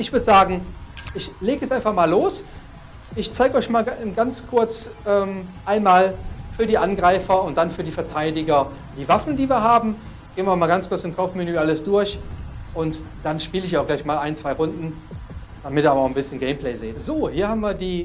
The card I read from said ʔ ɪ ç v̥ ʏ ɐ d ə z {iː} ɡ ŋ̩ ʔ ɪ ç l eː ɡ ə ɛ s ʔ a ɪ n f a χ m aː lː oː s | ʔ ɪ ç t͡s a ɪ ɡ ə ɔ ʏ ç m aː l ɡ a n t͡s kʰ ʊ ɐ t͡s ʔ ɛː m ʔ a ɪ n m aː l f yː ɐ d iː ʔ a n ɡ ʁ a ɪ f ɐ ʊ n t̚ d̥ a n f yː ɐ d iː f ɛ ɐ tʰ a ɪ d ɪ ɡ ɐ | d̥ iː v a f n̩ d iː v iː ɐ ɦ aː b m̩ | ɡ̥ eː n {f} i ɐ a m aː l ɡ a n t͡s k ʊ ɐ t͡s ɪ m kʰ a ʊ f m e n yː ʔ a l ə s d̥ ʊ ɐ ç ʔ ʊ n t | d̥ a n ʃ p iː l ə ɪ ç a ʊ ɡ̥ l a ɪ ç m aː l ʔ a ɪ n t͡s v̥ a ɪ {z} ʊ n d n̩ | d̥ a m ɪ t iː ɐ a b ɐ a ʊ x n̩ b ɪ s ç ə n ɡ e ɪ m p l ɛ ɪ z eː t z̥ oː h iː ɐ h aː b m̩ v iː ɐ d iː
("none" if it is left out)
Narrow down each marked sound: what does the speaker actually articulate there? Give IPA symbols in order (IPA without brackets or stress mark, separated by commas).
aː, v, ʁ